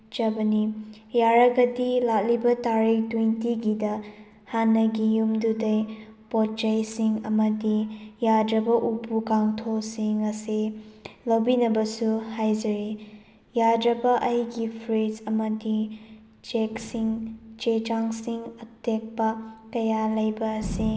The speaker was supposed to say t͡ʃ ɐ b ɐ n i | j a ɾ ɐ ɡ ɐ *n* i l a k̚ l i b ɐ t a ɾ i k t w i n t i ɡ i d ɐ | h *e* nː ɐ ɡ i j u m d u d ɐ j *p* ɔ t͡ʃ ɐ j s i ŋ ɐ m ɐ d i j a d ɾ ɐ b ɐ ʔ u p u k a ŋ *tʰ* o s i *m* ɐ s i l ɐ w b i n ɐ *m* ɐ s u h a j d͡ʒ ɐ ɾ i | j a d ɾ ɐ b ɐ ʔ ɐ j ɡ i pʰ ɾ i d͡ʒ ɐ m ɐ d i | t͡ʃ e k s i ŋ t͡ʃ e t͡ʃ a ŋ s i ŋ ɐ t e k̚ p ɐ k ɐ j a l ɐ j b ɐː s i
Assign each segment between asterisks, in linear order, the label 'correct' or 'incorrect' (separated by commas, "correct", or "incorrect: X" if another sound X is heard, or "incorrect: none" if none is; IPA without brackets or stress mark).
incorrect: d, incorrect: a, correct, correct, incorrect: ŋ, incorrect: b